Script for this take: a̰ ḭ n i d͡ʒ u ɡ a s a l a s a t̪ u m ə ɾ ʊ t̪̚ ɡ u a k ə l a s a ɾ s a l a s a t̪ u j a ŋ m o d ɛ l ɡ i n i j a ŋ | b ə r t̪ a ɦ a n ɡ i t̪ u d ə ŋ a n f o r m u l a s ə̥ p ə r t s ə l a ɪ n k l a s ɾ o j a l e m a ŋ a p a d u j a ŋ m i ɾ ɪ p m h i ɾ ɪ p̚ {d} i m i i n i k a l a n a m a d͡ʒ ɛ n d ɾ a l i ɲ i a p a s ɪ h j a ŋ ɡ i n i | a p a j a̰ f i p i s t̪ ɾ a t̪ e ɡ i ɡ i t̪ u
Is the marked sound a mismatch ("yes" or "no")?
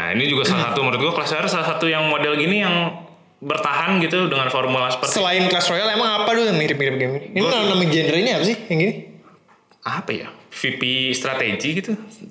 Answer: yes